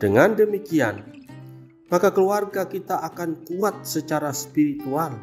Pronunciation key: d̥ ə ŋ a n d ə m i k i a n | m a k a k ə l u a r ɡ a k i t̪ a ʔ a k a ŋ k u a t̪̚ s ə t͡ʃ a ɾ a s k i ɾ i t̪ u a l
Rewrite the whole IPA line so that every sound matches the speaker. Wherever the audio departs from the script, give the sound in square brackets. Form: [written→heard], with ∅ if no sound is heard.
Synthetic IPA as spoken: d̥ ə ŋ a n d ə m i k i a n | m a k a k ə l u a r ɡ a k i t̪ a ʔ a k a [ŋ→n] k u a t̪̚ s ə t͡ʃ a ɾ a s [k→p] i ɾ i t̪ u a l